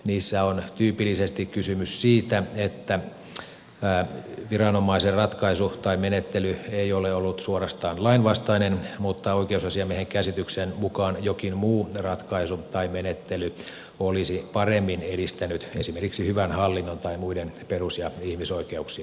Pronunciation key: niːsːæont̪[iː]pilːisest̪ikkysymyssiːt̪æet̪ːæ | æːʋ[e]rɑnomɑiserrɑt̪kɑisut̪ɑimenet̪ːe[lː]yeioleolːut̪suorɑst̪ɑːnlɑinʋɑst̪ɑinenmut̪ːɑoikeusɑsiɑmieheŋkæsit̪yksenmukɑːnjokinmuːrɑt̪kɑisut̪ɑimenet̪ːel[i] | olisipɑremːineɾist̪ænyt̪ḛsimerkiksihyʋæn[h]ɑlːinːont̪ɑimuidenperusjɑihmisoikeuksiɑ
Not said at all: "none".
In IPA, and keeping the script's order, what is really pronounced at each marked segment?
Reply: yː, i, l, y, h

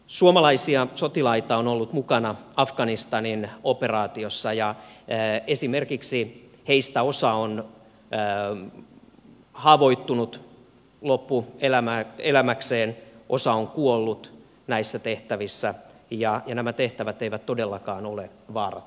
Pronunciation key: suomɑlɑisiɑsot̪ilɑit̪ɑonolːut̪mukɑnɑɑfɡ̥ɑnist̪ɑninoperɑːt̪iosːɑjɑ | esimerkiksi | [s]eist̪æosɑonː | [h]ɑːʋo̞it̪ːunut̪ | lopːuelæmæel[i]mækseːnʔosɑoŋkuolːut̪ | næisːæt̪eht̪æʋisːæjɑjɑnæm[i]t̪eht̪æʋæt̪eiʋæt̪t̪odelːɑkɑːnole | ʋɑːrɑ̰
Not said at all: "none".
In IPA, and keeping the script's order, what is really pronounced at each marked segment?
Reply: h, h, æ, æ

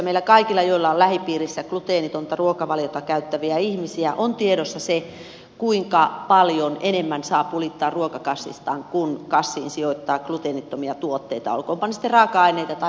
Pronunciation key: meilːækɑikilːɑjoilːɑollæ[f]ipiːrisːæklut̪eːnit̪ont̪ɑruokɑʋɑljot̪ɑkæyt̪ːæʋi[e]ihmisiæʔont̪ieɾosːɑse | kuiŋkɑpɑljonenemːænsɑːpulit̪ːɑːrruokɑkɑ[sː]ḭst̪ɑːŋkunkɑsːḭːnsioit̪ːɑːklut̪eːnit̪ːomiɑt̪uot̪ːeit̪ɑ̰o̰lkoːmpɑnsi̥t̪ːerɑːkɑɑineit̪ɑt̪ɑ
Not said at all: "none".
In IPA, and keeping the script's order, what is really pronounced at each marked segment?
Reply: h, æ, sː

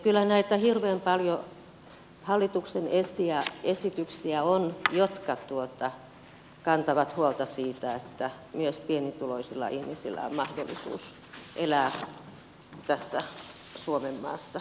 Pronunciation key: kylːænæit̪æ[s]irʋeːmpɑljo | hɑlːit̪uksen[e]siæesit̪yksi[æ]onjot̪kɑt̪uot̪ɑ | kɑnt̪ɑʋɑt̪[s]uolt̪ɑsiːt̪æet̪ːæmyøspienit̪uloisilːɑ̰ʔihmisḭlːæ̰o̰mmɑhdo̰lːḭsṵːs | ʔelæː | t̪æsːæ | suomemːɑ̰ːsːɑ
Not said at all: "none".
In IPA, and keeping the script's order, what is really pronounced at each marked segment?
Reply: h, e, æ, h

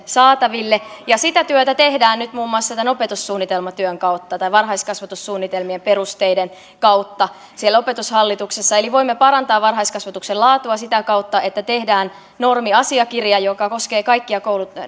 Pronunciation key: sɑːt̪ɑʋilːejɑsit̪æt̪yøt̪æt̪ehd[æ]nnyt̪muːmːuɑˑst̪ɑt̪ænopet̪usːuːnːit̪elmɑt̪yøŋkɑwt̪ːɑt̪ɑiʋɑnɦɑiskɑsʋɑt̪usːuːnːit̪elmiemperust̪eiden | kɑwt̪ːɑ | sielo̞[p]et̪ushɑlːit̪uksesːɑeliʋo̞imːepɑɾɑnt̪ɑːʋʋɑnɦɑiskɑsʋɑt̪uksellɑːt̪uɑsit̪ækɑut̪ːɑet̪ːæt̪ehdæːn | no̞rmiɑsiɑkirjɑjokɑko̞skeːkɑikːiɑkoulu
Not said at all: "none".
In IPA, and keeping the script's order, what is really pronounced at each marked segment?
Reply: æː, p

